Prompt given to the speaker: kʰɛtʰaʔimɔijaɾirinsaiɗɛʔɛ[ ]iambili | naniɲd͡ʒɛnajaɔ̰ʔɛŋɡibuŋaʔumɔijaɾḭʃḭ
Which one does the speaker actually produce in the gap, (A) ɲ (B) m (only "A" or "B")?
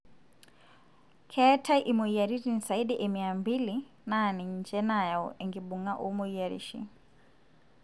B